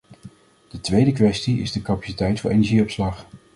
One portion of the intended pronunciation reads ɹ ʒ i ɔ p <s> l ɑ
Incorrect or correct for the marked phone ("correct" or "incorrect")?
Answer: correct